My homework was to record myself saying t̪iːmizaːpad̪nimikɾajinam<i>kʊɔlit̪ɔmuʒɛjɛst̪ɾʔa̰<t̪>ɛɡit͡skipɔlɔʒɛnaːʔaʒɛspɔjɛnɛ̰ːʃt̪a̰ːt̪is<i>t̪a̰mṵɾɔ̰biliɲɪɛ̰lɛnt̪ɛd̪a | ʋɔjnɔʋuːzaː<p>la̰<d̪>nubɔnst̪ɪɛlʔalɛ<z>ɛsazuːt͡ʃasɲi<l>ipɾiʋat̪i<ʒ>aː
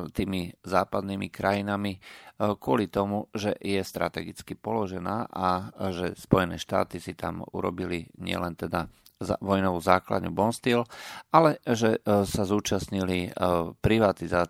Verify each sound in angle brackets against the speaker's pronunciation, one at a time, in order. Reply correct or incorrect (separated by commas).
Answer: correct, correct, correct, incorrect, correct, incorrect, correct, incorrect